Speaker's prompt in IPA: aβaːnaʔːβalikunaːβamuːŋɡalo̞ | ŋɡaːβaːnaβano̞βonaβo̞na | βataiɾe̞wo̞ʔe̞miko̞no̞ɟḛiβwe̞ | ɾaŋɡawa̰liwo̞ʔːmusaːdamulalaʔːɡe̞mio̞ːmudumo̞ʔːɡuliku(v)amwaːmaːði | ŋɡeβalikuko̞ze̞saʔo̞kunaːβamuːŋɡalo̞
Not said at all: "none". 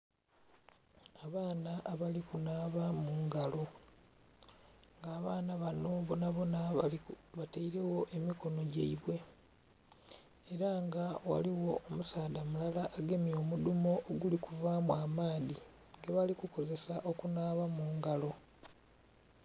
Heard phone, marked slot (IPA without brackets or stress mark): v